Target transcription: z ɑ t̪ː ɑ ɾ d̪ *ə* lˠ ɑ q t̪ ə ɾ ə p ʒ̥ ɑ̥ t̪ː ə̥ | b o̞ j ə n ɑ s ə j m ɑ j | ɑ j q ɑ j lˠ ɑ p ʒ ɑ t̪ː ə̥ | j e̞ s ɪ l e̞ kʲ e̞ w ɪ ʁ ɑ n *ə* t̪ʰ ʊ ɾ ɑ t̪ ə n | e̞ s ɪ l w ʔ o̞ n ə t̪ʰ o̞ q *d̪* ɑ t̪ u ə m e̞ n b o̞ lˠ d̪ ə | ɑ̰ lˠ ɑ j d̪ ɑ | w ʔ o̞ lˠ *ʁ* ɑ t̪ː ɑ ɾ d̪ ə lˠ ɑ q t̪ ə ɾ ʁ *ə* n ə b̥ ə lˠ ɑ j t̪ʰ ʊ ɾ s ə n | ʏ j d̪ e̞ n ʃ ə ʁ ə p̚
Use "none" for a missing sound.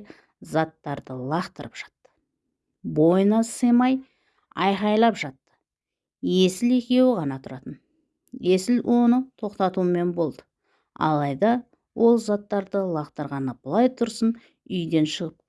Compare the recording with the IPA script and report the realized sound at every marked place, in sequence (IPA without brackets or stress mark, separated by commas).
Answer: ə, ɑ, t̪, z, ɑ